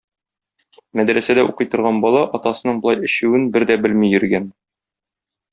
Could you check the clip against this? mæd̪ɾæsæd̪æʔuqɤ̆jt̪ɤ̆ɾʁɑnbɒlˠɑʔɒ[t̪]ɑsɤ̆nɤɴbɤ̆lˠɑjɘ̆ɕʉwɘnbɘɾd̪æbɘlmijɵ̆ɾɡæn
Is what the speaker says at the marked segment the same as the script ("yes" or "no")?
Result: yes